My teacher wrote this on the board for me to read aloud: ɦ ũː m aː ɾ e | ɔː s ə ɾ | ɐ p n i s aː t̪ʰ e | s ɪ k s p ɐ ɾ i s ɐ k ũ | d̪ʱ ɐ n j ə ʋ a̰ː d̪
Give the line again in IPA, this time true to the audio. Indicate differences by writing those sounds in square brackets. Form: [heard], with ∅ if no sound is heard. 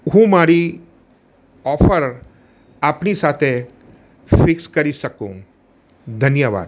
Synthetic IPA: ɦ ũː m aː ɾ [i] | ɔː [f] ə ɾ | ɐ p n i s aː t̪ʰ e | [f] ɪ k s [k] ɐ ɾ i s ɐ k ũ | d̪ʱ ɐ n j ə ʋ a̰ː d̪

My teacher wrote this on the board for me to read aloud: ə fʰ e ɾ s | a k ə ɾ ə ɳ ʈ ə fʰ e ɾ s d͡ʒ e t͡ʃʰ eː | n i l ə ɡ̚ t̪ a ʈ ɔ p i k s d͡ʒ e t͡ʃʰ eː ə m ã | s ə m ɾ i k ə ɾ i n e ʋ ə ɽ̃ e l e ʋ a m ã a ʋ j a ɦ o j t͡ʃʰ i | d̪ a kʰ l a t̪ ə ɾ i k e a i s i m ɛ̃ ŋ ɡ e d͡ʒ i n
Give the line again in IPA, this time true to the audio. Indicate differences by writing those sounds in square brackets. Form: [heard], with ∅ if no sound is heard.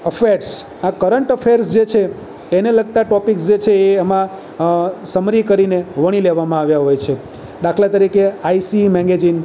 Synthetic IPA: ə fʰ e ɾ s | a k ə ɾ ə ɳ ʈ ə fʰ e ɾ s d͡ʒ e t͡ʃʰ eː | n [e] l ə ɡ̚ t̪ a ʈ ɔ p i k s d͡ʒ e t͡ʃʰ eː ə m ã | s ə m ɾ i k ə ɾ i n e ʋ ə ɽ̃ [i] l e ʋ a m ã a ʋ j a ɦ o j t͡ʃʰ [e] | d̪ a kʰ l a t̪ ə ɾ i k e a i s i m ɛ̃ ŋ ɡ e d͡ʒ i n

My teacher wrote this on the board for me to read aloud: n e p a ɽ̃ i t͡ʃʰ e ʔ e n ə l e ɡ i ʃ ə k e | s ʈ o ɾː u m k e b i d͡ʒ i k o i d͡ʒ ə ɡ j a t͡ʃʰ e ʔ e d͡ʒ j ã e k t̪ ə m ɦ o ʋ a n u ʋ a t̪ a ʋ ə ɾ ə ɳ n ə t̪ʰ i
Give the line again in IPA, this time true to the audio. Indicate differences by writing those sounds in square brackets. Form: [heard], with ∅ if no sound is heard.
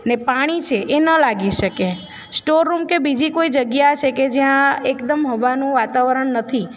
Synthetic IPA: n e p a ɽ̃ i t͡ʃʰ e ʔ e n ə l [a] ɡ i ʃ ə k e | s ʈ o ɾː u m k e b i d͡ʒ i k o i d͡ʒ ə ɡ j a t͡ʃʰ e [k] e d͡ʒ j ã e k [d̪] ə m ɦ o ʋ a n [ũ] ʋ a t̪ a ʋ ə ɾ ə ɳ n ə t̪ʰ i

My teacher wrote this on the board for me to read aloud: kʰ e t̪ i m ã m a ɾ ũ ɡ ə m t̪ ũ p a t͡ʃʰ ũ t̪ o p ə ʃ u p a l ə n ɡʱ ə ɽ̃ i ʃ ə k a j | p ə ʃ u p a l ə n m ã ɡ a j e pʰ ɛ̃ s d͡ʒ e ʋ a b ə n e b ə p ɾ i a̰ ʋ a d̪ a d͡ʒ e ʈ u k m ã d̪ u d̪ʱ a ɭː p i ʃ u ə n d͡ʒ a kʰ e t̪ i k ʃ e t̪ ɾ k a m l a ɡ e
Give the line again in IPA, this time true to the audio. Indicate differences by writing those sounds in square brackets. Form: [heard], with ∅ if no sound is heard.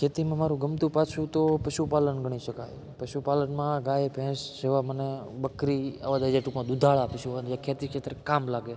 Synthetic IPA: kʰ e t̪ i m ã m a ɾ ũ ɡ ə m t̪ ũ p a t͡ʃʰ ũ t̪ o p ə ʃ u p a l ə n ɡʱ ə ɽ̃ i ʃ ə k a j | p ə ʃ u p a l ə n m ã ɡ a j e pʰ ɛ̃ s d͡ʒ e ʋ a [m] ə n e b ə [k] ɾ i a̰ ʋ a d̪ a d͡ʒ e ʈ u k m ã d̪ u d̪ʱ a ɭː p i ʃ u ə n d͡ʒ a kʰ e t̪ i k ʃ e t̪ ɾ k a m l a ɡ e

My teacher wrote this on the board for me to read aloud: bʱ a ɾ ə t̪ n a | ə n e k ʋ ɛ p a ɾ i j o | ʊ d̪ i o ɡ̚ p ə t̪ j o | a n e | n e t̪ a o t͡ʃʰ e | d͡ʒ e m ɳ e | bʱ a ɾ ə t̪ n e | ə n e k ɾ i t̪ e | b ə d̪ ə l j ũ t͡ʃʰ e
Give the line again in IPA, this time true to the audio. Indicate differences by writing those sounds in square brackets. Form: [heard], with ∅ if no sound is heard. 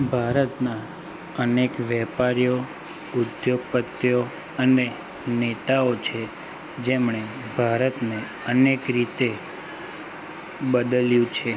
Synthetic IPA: bʱ a ɾ ə t̪ n a | ə n e k ʋ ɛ p a ɾ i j o | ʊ d̪ [j] o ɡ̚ p ə t̪ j o | [ə] n e | n e t̪ a o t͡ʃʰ e | d͡ʒ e m ɳ e | bʱ a ɾ ə t̪ n e | ə n e k ɾ i t̪ e | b ə d̪ ə l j ũ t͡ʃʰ e

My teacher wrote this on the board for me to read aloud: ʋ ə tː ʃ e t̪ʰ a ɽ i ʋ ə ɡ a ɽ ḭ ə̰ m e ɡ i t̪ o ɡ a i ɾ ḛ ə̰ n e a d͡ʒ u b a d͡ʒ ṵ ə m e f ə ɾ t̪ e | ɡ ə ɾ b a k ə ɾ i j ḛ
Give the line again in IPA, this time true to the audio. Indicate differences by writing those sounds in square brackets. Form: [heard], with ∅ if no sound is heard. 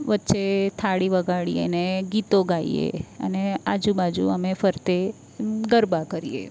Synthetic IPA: ʋ ə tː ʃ e t̪ʰ a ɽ i ʋ ə ɡ a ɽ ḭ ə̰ [n] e ɡ i t̪ o ɡ a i [∅] ḛ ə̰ n e a d͡ʒ u b a d͡ʒ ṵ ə m e f ə ɾ t̪ e | ɡ ə ɾ b a k ə ɾ i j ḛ

